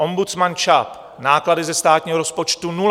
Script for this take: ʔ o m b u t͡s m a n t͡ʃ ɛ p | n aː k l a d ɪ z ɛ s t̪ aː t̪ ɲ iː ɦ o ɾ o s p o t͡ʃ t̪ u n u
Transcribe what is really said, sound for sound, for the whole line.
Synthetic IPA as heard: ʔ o m b u t͡s m a n t͡ʃ a p | n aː k l a d ɪ z ɛ s t̪ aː t̪ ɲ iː ɦ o ɾ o s p o t͡ʃ t̪ u n u